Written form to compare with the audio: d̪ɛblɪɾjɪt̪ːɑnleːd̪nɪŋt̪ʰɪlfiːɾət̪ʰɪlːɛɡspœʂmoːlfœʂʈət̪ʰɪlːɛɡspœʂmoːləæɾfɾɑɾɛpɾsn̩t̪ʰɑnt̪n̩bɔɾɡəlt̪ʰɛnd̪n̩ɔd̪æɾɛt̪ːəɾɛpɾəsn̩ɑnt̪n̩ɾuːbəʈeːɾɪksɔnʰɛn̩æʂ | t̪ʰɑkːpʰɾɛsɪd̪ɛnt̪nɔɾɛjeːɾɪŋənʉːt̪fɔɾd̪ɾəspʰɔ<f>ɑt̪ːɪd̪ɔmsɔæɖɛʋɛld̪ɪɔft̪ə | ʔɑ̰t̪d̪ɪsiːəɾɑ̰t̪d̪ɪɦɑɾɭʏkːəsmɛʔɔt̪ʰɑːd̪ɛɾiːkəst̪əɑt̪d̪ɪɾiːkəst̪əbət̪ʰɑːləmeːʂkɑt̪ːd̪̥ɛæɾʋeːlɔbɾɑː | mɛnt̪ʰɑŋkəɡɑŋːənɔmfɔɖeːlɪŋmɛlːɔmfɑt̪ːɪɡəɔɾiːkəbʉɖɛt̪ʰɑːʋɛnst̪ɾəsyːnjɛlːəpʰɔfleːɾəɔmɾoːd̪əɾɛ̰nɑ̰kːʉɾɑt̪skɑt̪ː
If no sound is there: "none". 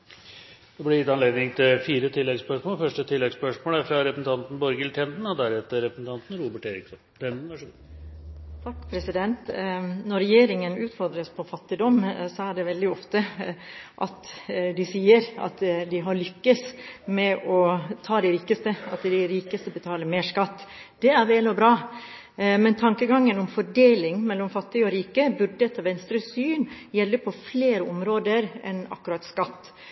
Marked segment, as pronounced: f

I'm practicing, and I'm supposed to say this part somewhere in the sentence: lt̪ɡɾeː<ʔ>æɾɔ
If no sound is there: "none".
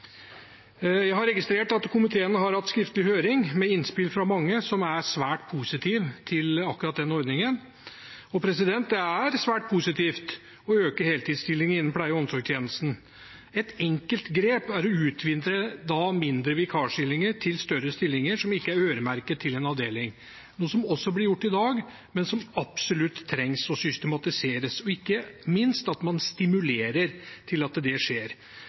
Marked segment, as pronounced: p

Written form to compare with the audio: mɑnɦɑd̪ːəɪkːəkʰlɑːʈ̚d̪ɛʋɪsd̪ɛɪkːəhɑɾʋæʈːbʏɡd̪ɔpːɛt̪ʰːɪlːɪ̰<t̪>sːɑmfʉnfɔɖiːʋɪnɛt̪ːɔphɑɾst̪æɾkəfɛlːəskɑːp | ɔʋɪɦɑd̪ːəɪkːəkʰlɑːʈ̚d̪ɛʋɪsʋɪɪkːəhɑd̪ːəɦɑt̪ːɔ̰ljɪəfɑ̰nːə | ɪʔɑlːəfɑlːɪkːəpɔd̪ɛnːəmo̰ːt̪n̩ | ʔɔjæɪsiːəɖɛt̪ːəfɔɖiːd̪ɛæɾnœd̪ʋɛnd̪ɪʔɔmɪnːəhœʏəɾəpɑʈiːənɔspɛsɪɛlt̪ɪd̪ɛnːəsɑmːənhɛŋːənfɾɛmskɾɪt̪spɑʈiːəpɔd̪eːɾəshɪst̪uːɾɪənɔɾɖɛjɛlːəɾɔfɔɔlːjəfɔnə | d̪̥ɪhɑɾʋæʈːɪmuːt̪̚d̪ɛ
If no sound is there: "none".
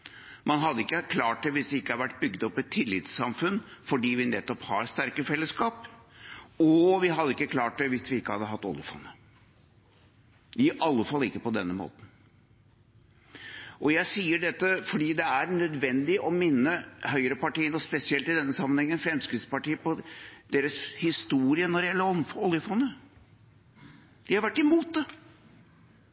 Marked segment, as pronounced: t̪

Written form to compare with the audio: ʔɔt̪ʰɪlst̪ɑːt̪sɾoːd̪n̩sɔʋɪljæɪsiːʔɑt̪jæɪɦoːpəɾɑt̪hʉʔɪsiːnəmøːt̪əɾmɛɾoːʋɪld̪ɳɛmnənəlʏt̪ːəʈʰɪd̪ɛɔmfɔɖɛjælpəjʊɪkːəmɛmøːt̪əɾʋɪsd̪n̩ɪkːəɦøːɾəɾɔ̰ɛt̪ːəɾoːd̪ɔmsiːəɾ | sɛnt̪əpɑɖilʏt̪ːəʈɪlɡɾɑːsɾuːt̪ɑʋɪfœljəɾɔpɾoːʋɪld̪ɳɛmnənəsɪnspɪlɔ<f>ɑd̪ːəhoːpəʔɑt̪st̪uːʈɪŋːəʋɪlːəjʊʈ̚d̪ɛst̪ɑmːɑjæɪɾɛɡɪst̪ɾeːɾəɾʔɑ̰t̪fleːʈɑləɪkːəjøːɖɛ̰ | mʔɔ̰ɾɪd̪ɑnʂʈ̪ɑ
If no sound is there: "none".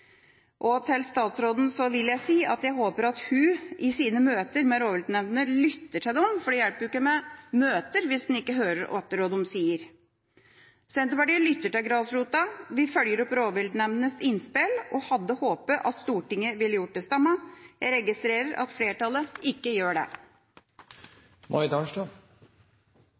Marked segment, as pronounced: h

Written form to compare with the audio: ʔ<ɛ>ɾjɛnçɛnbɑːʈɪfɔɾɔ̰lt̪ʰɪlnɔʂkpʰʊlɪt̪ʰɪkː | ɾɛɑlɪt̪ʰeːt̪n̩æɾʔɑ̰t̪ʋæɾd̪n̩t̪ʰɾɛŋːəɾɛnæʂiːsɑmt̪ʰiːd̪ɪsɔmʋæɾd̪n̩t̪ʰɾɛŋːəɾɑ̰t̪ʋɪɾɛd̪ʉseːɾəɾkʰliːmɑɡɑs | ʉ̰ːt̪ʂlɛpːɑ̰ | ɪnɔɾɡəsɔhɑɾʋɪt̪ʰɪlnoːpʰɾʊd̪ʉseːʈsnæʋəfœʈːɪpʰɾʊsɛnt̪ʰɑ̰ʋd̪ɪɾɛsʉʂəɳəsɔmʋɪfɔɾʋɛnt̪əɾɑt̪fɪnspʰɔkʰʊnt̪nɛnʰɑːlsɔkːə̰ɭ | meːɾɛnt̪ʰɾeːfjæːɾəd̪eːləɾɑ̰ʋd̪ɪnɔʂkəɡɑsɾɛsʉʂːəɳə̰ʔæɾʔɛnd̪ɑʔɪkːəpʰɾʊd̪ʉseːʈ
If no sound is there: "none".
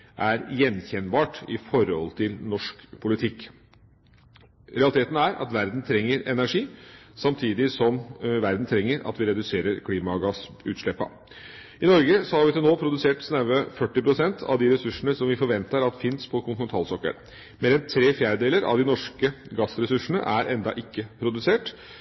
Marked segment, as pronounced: æ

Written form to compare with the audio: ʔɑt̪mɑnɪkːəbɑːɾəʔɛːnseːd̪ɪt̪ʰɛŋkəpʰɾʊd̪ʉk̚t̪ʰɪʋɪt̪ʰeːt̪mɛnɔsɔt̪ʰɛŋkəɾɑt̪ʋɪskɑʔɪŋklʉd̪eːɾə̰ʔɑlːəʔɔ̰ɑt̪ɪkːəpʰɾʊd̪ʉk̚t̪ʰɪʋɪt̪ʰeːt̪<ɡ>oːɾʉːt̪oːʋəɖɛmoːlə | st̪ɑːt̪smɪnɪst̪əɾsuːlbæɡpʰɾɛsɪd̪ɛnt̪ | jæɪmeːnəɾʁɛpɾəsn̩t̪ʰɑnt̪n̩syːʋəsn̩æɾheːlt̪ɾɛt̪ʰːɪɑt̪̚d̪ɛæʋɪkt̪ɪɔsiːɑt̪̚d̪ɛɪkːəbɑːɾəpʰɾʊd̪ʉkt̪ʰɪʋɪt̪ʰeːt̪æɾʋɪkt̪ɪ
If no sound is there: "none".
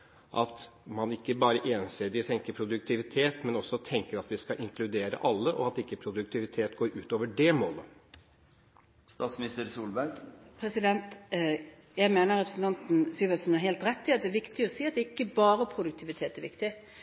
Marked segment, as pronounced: ɡ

